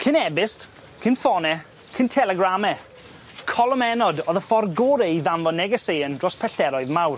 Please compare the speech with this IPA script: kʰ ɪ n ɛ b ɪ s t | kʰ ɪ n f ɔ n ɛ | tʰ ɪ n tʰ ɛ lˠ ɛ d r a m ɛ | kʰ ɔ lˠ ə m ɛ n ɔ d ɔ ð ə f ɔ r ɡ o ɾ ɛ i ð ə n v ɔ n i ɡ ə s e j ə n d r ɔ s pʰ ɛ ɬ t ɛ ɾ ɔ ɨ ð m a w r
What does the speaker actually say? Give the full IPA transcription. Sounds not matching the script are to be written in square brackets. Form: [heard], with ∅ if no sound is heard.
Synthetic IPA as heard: kʰ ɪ n ɛ b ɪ s t | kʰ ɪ n f ɔ n ɛ | [kʰ] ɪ n tʰ ɛ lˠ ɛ [ɡ] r a m ɛ | kʰ ɔ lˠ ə m ɛ n ɔ d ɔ ð ə f ɔ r ɡ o ɾ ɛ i ð [a] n v ɔ n [ɛ] ɡ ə s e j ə n d r ɔ s pʰ ɛ ɬ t ɛ ɾ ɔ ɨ ð m a w r